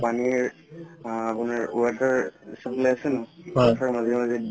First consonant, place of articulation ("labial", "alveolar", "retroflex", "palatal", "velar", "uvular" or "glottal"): labial